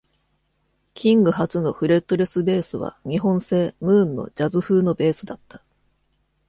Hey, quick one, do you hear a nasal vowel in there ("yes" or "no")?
yes